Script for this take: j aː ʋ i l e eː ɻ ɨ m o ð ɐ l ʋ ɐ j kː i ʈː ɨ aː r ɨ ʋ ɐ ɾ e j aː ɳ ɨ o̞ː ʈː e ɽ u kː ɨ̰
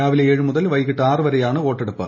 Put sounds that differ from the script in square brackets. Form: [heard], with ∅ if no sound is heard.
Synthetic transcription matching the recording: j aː ʋ i l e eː ɻ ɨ m [u] ð ɐ l ʋ ɐ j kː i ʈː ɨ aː r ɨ ʋ ɐ ɾ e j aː ɳ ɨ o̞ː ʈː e ɽ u [pː] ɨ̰